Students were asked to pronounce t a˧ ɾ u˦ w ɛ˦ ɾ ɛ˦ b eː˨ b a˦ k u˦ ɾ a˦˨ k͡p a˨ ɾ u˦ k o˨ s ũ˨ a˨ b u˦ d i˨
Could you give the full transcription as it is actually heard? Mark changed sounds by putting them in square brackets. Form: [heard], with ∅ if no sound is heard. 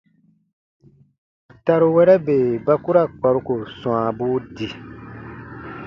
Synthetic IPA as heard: t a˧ ɾ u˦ w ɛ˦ ɾ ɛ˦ b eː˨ b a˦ k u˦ ɾ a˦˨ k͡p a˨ ɾ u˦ k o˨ s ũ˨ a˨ b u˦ d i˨